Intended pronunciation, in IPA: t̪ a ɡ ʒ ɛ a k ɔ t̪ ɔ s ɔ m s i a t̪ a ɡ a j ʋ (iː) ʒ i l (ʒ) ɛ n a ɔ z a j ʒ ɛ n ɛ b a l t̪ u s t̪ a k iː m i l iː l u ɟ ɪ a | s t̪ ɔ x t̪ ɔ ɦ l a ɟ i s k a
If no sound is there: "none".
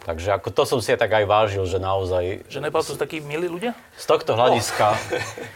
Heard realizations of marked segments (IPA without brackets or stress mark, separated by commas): aː, ʒ